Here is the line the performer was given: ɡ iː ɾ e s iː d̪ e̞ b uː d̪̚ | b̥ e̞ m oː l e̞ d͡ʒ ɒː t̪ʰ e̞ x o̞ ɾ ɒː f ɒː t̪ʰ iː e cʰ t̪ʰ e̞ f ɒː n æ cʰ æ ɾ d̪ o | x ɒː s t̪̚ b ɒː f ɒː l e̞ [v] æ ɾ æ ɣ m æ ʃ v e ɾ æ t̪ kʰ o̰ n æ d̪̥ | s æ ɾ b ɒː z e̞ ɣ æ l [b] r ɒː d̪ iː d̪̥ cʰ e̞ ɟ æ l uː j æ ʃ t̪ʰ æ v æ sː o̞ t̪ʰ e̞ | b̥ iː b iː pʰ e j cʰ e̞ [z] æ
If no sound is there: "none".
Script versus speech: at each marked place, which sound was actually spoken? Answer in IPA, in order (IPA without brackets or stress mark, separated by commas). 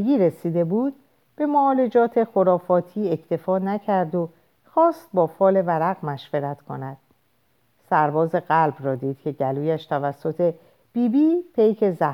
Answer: v, b, z